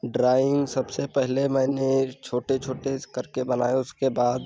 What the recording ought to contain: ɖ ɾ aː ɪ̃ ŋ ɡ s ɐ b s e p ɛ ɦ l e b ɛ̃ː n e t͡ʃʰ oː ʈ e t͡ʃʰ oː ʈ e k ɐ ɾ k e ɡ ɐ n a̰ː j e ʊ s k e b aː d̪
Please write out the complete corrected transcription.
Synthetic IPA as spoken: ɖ ɾ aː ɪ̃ ŋ ɡ s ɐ b s e p ɛ ɦ l e m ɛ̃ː n e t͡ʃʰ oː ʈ e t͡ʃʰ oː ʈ e k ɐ ɾ k e b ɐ n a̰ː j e ʊ s k e b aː d̪